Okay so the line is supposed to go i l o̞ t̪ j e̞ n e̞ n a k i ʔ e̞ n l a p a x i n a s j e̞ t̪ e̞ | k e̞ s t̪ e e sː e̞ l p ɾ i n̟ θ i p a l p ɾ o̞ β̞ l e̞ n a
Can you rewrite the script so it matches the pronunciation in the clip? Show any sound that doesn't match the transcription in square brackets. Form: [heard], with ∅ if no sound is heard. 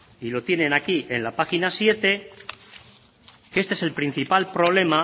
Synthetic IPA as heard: i l o̞ t̪ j e̞ n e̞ n a k i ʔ e̞ n l a p a x i n a s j e̞ t̪ e̞ | k e̞ s t̪ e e [s] e̞ l p ɾ i n̟ θ i p a l p ɾ o̞ β̞ l e̞ [m] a